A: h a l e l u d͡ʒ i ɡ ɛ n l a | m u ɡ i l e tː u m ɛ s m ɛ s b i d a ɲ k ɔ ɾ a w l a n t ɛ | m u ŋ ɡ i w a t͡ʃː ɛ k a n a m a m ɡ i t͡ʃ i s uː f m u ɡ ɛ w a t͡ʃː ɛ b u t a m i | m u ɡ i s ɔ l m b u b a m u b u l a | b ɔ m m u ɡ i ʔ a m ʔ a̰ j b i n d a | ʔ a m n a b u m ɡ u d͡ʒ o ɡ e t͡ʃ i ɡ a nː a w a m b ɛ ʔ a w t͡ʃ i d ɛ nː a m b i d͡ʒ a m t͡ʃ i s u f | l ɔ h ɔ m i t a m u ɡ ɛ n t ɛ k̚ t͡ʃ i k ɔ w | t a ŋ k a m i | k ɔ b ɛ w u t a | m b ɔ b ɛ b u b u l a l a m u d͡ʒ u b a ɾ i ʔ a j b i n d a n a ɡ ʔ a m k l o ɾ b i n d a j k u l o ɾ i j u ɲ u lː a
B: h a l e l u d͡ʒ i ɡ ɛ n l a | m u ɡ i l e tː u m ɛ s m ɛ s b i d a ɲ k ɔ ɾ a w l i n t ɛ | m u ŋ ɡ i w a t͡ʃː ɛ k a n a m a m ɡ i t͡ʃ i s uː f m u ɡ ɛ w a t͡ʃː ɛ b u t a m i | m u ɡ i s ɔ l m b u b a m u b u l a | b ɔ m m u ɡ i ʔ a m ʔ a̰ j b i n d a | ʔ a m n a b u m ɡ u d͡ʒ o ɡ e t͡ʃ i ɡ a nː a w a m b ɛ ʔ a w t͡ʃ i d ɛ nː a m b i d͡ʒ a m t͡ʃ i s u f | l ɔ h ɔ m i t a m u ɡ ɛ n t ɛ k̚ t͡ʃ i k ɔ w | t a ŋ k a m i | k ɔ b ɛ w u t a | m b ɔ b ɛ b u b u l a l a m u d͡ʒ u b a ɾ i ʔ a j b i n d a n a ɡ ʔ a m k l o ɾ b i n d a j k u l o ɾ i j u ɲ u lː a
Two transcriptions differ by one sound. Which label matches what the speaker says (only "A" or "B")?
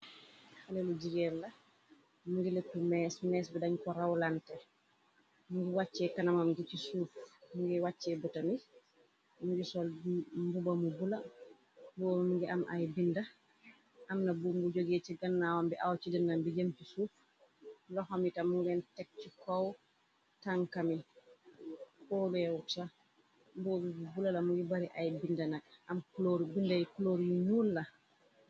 A